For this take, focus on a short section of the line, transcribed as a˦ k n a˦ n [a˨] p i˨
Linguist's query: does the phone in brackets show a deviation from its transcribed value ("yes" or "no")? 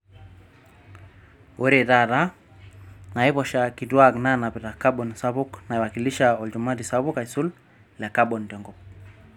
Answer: no